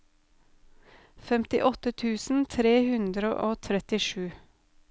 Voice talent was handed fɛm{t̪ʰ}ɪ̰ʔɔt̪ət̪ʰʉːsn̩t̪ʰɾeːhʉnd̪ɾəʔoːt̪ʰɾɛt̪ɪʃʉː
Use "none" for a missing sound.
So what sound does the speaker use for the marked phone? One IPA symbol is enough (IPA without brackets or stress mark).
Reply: t̪